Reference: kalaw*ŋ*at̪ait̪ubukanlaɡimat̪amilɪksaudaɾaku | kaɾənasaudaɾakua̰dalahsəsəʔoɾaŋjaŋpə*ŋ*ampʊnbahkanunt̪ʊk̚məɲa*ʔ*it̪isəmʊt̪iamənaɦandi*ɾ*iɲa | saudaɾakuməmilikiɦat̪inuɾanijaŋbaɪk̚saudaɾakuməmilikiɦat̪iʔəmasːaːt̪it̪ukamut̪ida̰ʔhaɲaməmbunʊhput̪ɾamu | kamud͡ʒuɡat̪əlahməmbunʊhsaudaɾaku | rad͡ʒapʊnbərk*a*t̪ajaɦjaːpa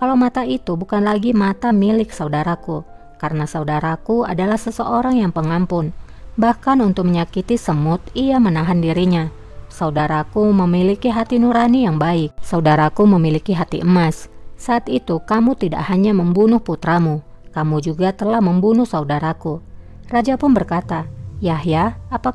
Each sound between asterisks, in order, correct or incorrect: incorrect: m, correct, incorrect: k, correct, correct

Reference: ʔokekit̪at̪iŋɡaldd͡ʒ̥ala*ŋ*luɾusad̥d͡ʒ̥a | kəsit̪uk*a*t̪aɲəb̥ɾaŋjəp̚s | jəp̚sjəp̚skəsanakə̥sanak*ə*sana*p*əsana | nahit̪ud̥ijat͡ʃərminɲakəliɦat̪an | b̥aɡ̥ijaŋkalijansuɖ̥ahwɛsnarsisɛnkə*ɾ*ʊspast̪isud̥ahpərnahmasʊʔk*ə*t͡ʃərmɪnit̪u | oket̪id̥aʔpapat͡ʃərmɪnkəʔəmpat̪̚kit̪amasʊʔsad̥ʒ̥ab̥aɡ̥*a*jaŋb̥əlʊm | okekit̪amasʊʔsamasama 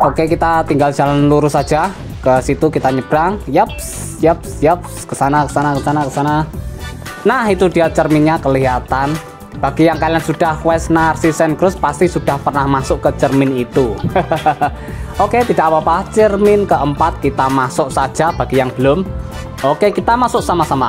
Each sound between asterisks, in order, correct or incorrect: incorrect: n, incorrect: i, correct, incorrect: k, correct, correct, incorrect: i

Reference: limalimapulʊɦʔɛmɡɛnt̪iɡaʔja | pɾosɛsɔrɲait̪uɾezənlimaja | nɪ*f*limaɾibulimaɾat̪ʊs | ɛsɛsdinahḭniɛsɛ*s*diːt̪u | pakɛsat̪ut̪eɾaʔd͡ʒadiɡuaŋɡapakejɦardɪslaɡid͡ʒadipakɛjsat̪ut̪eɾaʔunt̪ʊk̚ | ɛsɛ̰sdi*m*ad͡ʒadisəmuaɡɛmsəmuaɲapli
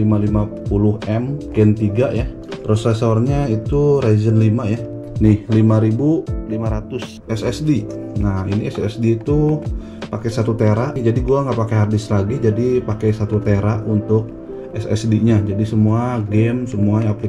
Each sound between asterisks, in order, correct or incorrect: incorrect: h, correct, incorrect: ɲ

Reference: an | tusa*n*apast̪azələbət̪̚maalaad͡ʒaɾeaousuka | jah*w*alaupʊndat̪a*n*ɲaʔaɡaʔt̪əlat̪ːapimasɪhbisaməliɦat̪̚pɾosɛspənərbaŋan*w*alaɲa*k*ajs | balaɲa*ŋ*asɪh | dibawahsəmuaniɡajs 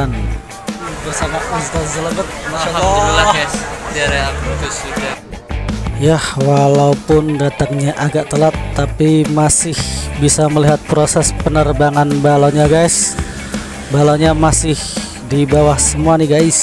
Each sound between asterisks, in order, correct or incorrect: incorrect: m, correct, incorrect: ŋ, incorrect: b, incorrect: ɡ, incorrect: m

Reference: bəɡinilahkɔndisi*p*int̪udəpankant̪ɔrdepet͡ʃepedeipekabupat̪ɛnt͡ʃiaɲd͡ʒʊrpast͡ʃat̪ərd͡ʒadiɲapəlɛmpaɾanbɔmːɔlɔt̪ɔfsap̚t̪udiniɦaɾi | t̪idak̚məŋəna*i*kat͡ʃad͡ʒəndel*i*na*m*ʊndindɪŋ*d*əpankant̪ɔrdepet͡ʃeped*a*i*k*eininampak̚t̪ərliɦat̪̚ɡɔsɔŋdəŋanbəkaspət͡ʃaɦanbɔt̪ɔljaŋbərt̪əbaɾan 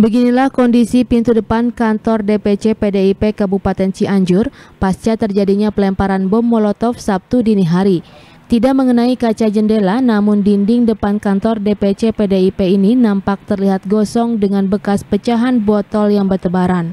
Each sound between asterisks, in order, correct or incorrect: correct, correct, incorrect: a, correct, correct, incorrect: e, incorrect: p

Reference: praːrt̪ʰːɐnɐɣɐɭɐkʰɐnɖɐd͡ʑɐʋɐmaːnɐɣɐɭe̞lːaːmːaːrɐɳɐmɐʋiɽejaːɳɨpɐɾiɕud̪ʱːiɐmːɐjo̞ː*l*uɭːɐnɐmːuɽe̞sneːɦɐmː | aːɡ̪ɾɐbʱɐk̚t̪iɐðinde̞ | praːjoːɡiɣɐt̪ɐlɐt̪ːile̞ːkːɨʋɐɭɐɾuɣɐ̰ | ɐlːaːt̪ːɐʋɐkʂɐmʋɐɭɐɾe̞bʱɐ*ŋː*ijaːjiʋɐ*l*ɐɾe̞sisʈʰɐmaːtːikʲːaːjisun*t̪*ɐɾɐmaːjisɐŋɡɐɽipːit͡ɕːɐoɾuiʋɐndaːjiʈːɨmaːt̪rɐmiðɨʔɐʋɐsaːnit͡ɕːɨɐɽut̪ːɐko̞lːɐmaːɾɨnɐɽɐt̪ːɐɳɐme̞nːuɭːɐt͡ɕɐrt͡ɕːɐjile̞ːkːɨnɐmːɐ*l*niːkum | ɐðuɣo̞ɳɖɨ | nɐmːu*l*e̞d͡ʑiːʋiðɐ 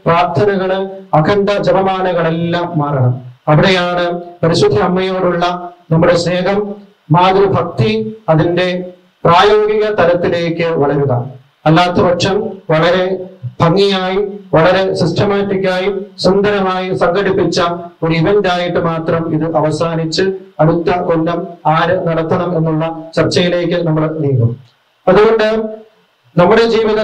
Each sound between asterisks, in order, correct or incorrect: incorrect: ɽ, correct, incorrect: ɭ, incorrect: d̪, incorrect: ɭ, incorrect: ɽ

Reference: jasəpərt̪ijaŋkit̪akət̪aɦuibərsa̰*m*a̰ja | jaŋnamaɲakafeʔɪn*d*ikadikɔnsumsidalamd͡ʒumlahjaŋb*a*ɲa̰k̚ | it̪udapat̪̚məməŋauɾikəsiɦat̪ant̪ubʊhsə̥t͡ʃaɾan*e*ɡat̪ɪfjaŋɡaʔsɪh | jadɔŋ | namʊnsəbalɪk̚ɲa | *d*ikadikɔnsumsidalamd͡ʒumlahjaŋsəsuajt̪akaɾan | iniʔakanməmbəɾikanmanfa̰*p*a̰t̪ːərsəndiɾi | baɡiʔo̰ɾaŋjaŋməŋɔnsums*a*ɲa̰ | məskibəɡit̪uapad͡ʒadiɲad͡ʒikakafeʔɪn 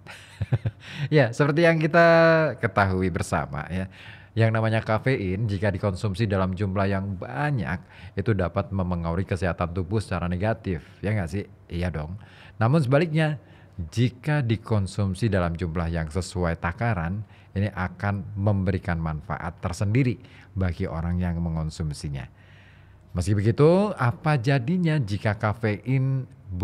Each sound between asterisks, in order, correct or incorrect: correct, incorrect: d͡ʒ, correct, correct, incorrect: d͡ʒ, incorrect: ʔ, incorrect: i

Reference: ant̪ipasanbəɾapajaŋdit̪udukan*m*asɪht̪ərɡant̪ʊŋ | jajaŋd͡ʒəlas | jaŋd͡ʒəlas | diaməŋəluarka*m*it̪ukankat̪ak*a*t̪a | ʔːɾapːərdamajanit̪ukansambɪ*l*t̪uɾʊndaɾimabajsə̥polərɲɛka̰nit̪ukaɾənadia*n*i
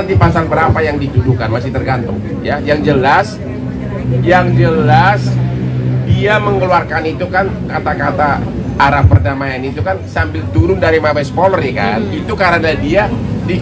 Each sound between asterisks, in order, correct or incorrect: correct, incorrect: n, correct, correct, incorrect: d

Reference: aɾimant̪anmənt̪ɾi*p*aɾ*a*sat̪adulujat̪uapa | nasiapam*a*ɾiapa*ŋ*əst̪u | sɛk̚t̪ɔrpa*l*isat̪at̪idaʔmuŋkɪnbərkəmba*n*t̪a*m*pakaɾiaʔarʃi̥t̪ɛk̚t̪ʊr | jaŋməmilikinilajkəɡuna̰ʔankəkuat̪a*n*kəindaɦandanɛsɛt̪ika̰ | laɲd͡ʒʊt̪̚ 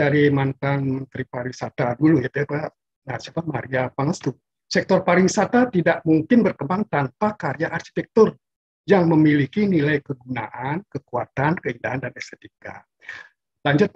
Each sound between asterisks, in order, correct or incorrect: correct, incorrect: i, correct, correct, incorrect: ɾ, incorrect: ŋ, incorrect: n, correct

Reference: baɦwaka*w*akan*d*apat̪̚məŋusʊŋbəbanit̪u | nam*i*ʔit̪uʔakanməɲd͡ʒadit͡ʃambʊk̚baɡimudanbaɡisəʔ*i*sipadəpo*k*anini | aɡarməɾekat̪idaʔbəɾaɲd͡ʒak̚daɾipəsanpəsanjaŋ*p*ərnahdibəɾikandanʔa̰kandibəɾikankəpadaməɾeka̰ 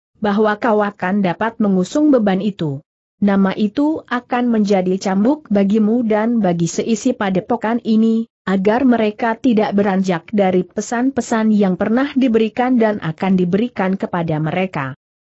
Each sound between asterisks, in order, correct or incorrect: correct, correct, incorrect: a, correct, correct, correct

